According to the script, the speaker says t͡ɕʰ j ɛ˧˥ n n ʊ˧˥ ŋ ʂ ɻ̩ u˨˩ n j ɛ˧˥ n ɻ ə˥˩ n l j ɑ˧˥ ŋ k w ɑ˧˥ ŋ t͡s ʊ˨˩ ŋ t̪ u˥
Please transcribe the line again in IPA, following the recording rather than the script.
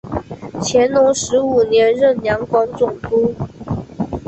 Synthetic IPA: t͡ɕʰ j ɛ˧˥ n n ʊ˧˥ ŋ ʂ ɻ̩ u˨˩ n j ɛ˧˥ n ɻ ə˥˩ n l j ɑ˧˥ ŋ k w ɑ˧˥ ŋ t͡s ʊ˨˩ ŋ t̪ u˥